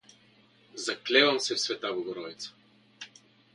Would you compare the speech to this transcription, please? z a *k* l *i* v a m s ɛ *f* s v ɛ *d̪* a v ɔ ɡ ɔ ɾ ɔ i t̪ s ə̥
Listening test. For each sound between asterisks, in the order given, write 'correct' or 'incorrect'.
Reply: correct, incorrect: ɛ, correct, incorrect: t̪

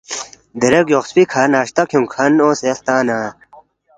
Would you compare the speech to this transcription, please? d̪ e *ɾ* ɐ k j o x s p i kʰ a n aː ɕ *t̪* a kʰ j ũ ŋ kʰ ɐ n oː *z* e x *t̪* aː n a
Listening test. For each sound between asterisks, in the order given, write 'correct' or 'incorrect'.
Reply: correct, correct, incorrect: s, correct

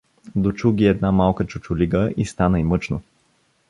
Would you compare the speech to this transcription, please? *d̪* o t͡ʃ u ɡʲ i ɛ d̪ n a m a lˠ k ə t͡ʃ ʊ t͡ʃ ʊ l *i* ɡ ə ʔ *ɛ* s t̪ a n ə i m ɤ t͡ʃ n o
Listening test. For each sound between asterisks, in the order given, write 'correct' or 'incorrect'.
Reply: correct, correct, incorrect: i

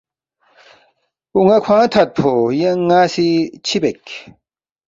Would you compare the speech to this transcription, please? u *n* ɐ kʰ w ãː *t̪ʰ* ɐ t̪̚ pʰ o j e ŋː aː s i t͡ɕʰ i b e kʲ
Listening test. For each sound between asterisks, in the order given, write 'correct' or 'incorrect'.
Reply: incorrect: ŋ, correct

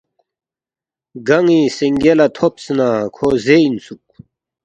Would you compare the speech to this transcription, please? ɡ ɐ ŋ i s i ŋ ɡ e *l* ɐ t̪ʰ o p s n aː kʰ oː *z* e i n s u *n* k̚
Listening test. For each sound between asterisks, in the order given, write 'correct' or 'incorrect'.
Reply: correct, correct, incorrect: none

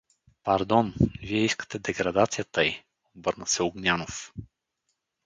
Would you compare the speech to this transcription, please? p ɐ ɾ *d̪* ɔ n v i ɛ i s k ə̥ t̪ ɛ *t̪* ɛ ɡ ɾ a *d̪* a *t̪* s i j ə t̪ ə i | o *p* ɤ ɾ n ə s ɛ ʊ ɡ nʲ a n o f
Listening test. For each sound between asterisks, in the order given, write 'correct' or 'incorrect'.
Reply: correct, incorrect: d̪, correct, correct, incorrect: b

